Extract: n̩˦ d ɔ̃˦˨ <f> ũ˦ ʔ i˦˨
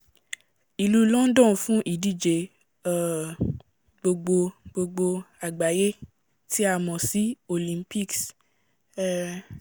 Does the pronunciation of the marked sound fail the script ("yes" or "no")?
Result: no